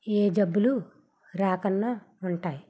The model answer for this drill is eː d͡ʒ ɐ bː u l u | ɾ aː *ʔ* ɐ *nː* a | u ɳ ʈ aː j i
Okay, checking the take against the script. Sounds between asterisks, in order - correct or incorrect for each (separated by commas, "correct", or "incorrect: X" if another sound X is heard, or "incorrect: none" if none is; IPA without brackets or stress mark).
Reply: incorrect: k, correct